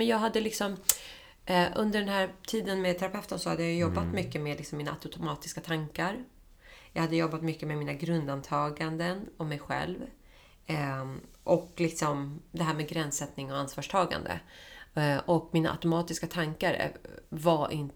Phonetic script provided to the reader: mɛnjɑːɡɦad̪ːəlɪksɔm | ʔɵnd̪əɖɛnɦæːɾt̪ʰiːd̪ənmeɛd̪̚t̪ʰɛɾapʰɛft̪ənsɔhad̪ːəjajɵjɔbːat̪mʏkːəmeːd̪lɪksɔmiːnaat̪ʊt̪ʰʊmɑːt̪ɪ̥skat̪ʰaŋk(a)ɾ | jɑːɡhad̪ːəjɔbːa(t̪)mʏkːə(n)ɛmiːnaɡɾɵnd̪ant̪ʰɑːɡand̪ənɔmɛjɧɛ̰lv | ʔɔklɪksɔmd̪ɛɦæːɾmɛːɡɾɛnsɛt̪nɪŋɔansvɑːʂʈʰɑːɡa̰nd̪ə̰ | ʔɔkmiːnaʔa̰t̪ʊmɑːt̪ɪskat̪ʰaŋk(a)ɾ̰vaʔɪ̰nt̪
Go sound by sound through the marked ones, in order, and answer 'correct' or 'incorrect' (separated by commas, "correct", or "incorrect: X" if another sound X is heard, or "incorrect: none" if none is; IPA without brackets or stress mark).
correct, correct, incorrect: m, correct